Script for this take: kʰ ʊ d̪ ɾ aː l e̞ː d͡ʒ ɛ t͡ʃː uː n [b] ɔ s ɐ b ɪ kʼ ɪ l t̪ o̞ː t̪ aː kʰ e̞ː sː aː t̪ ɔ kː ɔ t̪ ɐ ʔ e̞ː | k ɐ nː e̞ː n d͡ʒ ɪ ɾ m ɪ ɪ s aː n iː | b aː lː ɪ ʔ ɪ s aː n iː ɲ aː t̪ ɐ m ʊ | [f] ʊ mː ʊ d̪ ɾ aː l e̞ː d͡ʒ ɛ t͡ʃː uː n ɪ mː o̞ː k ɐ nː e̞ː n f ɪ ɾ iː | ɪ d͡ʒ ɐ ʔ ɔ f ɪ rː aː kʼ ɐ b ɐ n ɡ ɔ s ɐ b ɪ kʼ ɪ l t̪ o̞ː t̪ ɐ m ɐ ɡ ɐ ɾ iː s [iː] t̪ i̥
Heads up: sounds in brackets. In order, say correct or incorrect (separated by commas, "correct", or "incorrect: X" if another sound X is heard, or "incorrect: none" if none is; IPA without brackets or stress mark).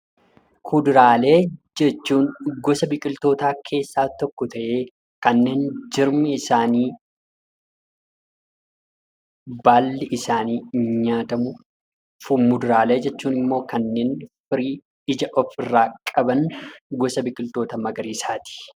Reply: incorrect: ɡ, correct, incorrect: aː